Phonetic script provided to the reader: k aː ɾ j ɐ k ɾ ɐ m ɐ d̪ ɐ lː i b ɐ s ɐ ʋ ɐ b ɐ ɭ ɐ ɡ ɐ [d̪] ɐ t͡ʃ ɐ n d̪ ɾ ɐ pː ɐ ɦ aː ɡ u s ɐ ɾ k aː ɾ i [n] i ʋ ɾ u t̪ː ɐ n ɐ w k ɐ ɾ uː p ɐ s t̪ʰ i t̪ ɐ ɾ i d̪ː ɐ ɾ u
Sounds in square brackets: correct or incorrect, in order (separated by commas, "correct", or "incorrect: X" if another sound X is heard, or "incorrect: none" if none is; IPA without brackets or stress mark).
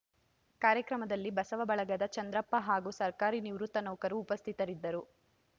correct, correct